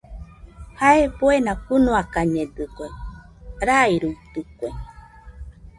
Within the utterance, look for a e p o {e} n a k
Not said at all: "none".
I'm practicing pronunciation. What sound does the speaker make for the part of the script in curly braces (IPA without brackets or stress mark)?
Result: e